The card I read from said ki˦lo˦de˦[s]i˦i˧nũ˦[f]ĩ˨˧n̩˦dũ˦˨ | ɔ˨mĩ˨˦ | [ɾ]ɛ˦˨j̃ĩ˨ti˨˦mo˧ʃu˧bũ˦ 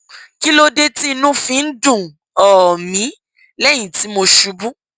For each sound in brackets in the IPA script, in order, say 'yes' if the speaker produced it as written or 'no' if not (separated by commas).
no, yes, no